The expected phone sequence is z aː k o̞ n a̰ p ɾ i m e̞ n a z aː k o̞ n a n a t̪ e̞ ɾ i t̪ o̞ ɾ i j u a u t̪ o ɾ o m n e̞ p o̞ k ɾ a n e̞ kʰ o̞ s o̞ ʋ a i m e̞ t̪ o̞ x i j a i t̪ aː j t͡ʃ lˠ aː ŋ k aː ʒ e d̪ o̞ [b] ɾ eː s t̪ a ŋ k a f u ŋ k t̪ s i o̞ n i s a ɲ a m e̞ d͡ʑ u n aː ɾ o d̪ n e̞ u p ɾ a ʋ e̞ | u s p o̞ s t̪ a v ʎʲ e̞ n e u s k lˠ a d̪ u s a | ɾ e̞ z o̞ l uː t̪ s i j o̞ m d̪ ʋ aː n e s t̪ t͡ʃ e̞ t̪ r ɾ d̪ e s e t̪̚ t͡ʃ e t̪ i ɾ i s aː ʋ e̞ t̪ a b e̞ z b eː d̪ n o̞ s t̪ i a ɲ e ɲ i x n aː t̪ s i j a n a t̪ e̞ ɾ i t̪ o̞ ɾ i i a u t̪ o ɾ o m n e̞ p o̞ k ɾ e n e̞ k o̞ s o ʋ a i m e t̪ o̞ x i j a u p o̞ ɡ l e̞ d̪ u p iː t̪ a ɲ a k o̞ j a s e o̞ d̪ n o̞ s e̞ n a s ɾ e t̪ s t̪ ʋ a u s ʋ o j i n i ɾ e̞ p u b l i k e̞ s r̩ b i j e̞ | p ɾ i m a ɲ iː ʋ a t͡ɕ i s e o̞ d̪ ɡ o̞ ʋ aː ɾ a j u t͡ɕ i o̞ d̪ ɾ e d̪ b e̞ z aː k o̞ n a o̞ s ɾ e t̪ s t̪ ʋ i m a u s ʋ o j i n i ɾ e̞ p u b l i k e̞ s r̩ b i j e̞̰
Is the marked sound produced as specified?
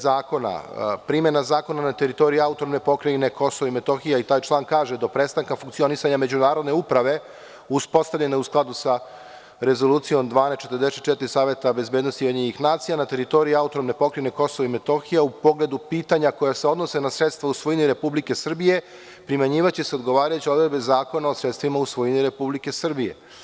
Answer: no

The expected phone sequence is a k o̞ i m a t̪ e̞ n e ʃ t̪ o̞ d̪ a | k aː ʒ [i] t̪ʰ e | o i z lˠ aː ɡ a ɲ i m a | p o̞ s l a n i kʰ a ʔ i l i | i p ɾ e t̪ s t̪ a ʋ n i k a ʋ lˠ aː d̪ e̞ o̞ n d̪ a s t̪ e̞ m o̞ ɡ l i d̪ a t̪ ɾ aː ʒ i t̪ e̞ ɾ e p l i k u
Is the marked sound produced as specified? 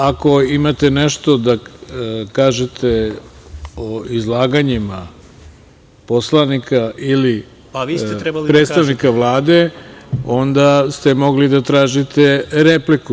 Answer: no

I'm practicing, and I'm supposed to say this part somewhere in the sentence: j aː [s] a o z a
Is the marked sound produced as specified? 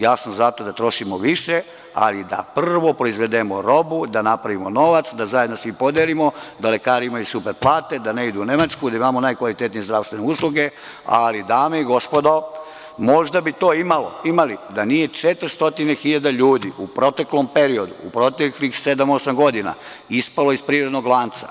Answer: yes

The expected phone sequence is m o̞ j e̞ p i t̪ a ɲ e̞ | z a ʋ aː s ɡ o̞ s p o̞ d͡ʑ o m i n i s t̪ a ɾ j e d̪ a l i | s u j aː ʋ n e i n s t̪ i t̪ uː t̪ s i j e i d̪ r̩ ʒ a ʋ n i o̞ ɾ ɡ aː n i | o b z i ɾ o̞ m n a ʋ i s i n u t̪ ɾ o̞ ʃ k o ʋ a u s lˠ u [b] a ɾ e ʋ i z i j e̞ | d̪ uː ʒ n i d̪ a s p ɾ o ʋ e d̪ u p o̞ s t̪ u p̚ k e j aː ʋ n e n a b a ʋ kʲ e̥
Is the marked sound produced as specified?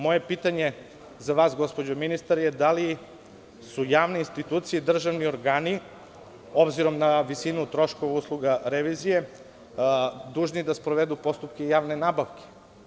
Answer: no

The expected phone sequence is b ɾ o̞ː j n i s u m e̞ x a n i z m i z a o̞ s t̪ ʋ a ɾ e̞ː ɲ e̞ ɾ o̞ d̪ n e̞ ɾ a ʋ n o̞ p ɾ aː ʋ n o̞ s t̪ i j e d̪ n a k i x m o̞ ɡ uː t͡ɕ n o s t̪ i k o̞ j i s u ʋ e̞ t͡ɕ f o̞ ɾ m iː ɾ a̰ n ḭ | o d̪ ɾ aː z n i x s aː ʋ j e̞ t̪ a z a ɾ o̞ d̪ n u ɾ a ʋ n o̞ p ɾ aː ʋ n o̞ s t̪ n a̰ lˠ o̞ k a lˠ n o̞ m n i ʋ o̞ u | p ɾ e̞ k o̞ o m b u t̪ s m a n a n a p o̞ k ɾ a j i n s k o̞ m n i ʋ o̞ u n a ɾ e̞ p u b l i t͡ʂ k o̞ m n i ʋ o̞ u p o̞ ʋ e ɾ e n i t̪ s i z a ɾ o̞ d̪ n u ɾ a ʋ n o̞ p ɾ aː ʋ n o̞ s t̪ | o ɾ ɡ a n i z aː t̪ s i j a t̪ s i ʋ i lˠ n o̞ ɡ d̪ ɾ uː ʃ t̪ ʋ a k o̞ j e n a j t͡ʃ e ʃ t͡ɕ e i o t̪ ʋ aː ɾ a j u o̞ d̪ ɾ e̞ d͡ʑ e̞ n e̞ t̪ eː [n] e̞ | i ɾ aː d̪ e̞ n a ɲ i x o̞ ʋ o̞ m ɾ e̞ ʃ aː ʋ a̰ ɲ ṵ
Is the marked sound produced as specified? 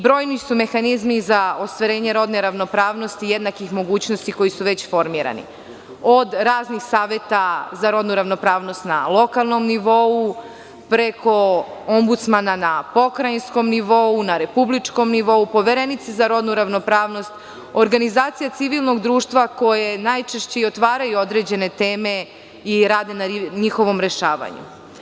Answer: no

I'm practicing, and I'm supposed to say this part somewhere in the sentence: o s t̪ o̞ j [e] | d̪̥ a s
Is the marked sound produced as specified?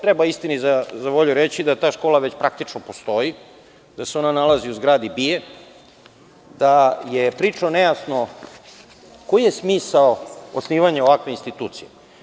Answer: no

